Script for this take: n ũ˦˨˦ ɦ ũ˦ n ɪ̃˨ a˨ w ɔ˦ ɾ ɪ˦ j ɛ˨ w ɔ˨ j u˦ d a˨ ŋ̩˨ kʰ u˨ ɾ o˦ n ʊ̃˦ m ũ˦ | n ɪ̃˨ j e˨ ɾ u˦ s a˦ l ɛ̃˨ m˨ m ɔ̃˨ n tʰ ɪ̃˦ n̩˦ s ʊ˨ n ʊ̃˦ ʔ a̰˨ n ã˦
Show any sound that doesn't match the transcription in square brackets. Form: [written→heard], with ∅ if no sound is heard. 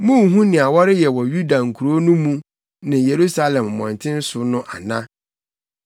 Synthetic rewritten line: [n→m] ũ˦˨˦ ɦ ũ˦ n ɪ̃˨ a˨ w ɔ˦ ɾ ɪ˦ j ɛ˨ w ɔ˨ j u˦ d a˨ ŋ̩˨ kʰ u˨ ɾ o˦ n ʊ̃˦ m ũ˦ | n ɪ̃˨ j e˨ ɾ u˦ s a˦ l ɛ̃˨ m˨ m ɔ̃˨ n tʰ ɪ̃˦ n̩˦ s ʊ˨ n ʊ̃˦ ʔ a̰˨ n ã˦